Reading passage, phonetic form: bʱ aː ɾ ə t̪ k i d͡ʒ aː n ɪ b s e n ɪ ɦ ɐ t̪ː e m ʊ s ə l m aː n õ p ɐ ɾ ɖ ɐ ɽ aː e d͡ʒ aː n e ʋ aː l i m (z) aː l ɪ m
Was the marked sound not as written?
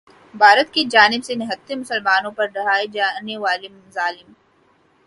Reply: no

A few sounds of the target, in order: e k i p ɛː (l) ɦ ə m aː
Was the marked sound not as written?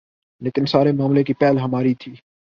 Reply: no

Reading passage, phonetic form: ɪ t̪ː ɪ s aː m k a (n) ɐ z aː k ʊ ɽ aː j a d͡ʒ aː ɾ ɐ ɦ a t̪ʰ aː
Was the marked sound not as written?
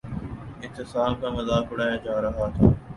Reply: yes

